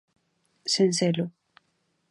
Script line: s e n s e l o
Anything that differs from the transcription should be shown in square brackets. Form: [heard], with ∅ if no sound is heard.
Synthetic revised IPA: s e n s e l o